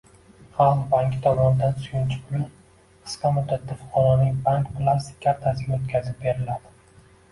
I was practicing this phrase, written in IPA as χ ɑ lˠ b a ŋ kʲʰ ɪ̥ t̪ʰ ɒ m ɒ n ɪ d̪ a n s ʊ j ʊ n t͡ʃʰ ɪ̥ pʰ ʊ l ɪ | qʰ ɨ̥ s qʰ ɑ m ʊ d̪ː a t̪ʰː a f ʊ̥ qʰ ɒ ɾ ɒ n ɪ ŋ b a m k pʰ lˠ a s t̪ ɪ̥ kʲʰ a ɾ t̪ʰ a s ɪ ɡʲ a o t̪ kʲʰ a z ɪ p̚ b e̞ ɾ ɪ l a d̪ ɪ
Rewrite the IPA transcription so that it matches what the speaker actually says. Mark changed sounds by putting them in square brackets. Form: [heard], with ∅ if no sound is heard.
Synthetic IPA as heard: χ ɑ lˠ b a ŋ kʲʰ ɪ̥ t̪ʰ ɒ m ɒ n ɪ d̪ a n s ʊ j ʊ n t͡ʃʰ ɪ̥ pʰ ʊ l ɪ | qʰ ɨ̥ s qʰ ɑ m ʊ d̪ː a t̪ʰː a f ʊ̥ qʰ ɒ ɾ ɒ n ɪ ŋ b a [ŋ] k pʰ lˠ a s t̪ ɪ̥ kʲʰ a ɾ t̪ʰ a s ɪ ɡʲ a o t̪ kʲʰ a z ɪ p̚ b e̞ ɾ ɪ l a d̪ ɪ

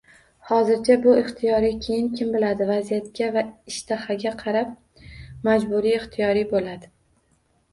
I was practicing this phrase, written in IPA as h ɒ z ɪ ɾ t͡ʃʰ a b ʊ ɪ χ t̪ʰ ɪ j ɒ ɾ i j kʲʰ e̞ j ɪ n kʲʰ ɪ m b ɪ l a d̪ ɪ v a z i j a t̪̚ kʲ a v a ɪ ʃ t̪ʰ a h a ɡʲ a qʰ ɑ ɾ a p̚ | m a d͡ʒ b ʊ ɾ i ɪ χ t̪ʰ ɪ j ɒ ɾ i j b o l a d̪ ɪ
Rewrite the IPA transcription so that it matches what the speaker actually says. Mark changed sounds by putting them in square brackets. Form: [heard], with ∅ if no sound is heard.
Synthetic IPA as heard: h ɒ z ɪ ɾ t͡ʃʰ a b ʊ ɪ χ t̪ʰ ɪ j ɒ ɾ i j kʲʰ e̞ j ɪ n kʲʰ ɪ m b ɪ l a d̪ ɪ v a z i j a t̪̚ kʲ a v a ɪ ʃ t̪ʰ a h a ɡʲ a qʰ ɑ ɾ a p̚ | m a d͡ʒ b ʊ ɾ i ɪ χ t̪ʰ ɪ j ɒ ɾ i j b o l a d̪ ɪ

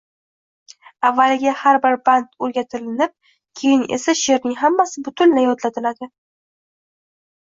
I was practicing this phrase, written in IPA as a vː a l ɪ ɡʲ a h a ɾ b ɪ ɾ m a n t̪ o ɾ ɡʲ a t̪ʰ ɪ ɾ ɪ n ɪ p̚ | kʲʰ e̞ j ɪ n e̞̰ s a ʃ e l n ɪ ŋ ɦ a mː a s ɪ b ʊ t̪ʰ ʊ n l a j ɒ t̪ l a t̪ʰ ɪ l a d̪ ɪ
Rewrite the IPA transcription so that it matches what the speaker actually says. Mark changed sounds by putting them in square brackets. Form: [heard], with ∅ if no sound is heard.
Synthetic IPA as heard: a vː a l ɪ ɡʲ a h a ɾ b ɪ ɾ [b] a n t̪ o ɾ ɡʲ a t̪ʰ ɪ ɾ ɪ n ɪ p̚ | kʲʰ e̞ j ɪ n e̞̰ s a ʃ e [ɾ] n ɪ ŋ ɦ a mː a s ɪ b ʊ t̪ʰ ʊ n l a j ɒ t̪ l a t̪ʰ ɪ l a d̪ ɪ

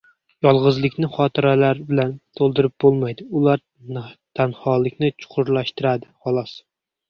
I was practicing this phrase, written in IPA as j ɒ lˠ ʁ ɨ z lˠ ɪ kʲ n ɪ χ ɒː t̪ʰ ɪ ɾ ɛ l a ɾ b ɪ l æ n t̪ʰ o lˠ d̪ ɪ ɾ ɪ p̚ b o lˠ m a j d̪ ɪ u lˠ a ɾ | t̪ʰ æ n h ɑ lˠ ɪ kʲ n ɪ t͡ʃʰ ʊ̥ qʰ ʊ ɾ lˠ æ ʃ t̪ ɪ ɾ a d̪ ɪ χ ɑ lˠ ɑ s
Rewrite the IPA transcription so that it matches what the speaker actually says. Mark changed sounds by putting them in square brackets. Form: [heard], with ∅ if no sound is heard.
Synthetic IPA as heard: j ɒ lˠ ʁ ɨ z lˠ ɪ kʲ n ɪ χ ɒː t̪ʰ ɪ ɾ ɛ l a ɾ b ɪ l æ n t̪ʰ o lˠ d̪ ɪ ɾ ɪ p̚ b o lˠ m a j d̪ ɪ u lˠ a ɾ | t̪ʰ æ n h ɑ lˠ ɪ kʲ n ɪ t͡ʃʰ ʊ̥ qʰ ʊ ɾ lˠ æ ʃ t̪ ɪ ɾ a d̪ ɪ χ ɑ lˠ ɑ s

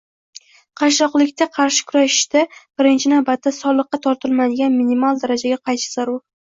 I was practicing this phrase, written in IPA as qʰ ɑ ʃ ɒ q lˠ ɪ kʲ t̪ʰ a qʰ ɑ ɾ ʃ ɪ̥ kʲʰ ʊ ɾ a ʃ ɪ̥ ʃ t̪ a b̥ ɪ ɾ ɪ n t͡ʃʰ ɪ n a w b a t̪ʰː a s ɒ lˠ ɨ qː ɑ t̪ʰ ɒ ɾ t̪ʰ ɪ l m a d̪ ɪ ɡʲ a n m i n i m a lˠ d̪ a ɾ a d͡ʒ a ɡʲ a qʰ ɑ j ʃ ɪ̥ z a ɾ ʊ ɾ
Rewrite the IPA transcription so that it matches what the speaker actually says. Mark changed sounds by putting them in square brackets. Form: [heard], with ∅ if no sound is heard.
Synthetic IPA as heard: qʰ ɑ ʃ ɒ q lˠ ɪ kʲ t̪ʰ a qʰ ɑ ɾ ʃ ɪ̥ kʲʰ ʊ ɾ a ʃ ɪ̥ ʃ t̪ a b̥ ɪ ɾ ɪ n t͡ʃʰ ɪ n a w b a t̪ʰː a s ɒ lˠ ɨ qː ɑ t̪ʰ ɒ ɾ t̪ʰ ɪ l m a d̪ ɪ ɡʲ a n m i n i m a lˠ d̪ a ɾ a d͡ʒ a ɡʲ a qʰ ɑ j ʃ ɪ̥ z a ɾ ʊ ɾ

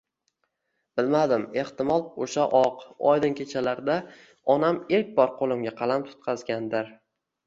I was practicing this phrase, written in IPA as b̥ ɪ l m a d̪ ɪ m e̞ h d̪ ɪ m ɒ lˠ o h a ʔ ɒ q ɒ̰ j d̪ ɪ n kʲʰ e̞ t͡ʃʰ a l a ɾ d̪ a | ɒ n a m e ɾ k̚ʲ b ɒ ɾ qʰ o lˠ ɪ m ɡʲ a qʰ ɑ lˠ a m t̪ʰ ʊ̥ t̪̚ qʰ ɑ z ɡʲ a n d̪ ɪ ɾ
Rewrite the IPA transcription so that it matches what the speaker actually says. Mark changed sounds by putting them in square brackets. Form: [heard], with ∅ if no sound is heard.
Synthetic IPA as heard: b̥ ɪ l m a d̪ ɪ m e̞ h [t̪] ɪ m ɒ lˠ o [ʃ] a ʔ ɒ q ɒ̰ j d̪ ɪ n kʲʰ e̞ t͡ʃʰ a l a ɾ d̪ a | ɒ n a m e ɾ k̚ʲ b ɒ ɾ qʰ o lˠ ɪ m ɡʲ a qʰ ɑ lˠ a m t̪ʰ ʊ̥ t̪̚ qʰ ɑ z ɡʲ a n d̪ ɪ ɾ

